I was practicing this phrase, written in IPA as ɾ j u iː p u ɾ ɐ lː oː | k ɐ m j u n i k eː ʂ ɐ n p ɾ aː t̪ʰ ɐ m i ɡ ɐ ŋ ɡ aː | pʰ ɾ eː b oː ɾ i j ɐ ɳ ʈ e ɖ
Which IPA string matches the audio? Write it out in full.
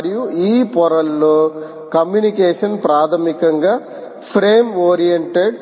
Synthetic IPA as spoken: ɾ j u iː p ɔ ɾ ɐ lː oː | k ɐ m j u n i k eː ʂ ɐ n p ɾ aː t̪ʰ ɐ m i k ɐ ŋ ɡ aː | pʰ ɾ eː m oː ɾ i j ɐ ɳ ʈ e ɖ